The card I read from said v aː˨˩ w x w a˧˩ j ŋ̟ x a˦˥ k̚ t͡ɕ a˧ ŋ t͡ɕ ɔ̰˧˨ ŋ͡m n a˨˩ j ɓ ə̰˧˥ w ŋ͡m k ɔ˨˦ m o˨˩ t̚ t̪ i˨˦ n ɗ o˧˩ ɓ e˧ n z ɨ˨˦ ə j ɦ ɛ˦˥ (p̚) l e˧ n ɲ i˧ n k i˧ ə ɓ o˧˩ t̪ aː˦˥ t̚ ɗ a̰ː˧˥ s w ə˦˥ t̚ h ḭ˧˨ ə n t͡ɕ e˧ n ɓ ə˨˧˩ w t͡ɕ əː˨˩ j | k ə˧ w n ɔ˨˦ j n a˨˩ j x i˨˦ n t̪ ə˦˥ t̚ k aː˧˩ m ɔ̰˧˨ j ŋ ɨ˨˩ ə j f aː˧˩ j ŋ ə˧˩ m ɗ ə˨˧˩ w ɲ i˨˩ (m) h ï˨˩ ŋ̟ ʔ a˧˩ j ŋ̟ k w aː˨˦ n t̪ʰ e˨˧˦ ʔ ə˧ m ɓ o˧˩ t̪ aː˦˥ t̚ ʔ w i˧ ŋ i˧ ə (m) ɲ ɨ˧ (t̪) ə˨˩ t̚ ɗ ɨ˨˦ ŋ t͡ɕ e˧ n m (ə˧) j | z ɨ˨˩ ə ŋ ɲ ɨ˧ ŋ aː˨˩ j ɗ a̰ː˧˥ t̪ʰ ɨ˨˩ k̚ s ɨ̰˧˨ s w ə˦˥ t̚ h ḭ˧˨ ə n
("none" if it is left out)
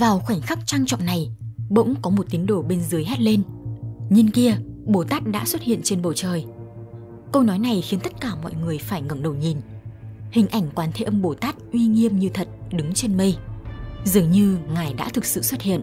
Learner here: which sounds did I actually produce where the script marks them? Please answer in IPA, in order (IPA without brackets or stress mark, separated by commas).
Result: t̚, n, m, t̪ʰ, ə˧